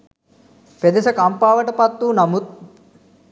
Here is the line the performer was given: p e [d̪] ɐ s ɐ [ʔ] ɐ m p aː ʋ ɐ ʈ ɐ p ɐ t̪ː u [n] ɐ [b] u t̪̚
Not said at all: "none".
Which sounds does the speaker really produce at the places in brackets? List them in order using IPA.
d̪, k, n, m

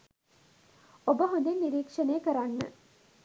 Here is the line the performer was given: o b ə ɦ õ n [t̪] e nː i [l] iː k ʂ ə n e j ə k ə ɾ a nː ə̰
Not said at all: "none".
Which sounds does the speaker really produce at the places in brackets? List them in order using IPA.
d̪, ɾ

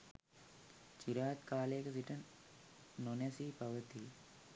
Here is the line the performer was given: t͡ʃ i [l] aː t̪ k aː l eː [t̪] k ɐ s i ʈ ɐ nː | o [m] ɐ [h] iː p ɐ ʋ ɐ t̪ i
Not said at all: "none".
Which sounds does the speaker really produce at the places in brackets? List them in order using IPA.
ɾ, none, n, s

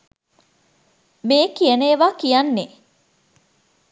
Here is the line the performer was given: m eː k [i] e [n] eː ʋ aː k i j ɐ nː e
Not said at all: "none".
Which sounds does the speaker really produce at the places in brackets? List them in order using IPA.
i, n

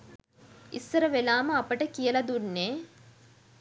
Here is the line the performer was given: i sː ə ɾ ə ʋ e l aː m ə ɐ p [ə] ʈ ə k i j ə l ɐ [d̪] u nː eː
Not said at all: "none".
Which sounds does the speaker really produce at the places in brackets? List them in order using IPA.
ə, d̪

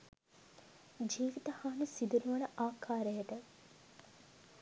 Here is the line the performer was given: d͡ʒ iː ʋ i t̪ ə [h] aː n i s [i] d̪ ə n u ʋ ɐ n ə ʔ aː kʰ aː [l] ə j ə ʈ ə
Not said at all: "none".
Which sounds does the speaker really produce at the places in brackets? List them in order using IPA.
h, i, ɾ

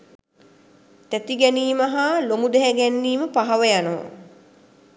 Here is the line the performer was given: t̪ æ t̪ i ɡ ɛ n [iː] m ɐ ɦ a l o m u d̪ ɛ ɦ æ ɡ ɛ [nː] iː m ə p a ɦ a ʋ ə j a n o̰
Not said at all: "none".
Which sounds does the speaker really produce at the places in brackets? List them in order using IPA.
iː, nː

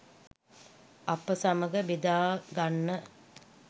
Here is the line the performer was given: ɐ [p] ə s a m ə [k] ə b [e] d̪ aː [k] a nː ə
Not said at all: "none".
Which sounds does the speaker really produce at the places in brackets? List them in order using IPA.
p, ɡ, i, ɡ

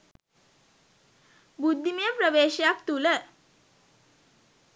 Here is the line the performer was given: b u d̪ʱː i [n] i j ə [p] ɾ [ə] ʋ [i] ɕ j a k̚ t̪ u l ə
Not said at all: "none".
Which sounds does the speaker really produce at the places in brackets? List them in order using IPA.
m, p, ə, e

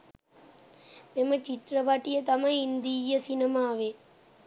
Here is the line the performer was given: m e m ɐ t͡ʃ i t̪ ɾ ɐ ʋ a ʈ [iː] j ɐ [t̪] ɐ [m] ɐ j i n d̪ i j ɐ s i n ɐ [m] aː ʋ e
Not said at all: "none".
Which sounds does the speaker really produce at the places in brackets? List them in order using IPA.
i, t̪, m, m

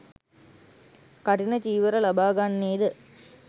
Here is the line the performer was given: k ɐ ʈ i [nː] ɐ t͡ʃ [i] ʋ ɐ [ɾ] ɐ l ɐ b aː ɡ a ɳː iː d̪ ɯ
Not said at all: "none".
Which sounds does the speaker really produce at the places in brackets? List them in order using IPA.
n, iː, ɾ

